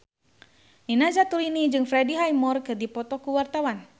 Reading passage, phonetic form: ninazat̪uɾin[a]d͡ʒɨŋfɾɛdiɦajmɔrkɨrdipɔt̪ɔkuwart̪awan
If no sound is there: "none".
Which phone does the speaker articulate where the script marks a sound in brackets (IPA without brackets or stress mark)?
i